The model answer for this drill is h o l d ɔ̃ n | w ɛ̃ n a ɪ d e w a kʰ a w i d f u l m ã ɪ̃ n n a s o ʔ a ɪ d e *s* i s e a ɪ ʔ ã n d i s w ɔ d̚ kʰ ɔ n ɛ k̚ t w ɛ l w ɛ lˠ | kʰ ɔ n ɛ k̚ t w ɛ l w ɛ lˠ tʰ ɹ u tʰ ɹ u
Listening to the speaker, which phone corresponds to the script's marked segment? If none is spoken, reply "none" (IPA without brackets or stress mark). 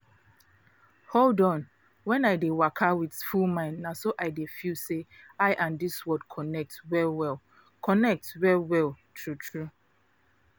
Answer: f